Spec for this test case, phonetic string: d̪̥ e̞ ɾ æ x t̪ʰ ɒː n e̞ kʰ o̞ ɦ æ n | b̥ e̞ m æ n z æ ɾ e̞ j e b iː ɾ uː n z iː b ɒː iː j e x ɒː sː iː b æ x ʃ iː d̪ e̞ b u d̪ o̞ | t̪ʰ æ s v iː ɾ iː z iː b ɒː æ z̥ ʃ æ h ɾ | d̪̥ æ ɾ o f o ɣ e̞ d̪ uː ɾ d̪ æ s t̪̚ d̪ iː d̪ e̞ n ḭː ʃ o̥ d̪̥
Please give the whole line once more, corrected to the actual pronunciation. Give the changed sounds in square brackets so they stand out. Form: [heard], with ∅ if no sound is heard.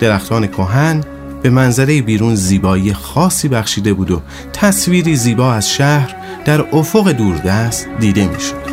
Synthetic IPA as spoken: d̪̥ e̞ ɾ æ x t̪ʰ ɒː n e̞ kʰ o̞ ɦ æ n | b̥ e̞ m æ n z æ ɾ e̞ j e b iː ɾ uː n z iː b ɒː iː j e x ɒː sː iː b æ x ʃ iː d̪ e̞ b [uː] d̪ o̞ | t̪ʰ æ s v iː ɾ iː z iː b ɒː æ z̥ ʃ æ h ɾ | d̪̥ æ ɾ o f o ɣ e̞ d̪ uː ɾ d̪ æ s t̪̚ d̪ iː d̪ e̞ [m] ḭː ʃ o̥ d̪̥